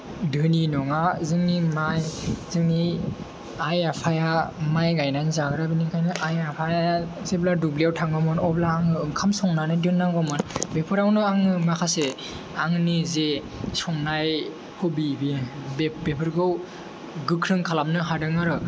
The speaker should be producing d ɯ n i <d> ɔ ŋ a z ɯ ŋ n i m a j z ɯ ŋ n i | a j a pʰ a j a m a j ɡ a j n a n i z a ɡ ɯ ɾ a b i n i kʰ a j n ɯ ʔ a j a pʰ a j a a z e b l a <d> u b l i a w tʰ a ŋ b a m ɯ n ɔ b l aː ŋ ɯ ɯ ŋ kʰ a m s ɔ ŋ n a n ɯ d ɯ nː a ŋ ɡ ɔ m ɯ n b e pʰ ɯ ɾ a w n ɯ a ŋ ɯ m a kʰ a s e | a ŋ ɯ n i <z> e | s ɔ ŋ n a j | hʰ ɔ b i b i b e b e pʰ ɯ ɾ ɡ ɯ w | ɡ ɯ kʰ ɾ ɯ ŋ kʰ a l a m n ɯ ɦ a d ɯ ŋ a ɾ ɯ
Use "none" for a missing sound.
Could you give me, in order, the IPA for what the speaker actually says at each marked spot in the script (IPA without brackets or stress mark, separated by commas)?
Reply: n, d, z